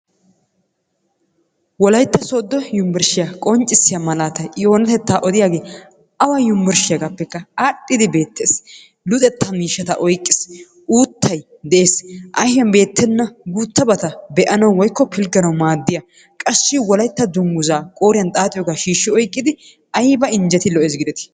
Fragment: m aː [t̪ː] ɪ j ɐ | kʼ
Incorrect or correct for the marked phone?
incorrect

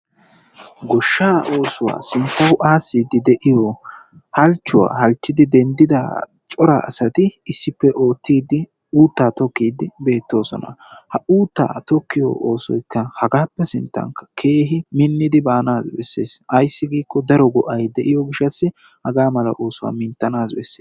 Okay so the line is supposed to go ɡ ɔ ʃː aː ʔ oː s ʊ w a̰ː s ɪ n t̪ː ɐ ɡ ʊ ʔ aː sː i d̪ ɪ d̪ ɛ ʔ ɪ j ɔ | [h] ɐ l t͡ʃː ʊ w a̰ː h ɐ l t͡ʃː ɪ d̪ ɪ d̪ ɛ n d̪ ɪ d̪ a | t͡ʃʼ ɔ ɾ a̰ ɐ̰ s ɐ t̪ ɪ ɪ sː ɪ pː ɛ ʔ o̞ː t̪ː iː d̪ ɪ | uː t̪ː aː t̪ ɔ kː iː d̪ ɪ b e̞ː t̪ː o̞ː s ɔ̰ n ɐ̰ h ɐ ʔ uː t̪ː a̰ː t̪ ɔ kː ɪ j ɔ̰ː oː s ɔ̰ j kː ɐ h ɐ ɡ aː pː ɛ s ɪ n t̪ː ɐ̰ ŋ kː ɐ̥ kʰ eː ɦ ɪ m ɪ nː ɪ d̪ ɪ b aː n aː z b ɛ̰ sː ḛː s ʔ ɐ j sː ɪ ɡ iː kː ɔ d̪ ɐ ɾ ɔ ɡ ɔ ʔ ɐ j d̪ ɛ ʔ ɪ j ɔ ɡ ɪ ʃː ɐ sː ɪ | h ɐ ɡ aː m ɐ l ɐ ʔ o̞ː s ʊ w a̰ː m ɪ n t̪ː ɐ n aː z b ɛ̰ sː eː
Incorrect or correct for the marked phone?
correct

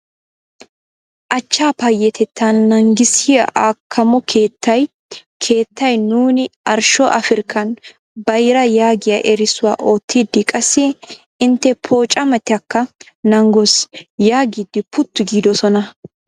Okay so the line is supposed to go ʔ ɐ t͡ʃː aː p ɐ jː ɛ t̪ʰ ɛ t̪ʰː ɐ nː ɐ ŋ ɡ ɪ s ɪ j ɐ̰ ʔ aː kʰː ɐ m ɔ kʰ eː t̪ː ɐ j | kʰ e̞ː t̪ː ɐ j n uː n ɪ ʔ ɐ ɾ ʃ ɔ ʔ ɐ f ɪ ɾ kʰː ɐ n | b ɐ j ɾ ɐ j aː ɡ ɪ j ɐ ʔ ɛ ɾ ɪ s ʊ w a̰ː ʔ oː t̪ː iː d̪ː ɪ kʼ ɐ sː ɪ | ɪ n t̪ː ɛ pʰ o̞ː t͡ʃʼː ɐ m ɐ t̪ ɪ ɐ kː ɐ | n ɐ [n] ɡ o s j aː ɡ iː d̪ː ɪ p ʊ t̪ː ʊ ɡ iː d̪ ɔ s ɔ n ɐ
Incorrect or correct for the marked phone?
incorrect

